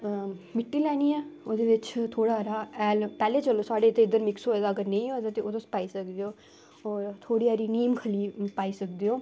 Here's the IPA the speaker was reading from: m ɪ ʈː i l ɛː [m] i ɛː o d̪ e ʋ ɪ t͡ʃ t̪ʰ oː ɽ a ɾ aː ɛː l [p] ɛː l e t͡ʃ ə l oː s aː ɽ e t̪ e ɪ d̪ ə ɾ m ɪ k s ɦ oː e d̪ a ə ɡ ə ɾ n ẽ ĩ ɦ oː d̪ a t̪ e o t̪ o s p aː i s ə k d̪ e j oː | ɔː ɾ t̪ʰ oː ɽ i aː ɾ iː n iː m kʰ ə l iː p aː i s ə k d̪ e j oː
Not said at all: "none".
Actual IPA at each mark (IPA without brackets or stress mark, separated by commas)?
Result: n, p